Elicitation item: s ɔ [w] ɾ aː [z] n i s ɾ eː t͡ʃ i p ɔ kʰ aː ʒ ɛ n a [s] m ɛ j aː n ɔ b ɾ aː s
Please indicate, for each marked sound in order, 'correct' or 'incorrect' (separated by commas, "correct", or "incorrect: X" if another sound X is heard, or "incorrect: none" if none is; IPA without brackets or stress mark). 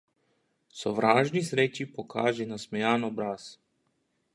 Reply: incorrect: ʋ, incorrect: ʒ, correct